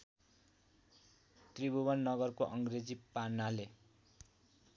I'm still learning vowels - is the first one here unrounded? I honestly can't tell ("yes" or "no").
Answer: yes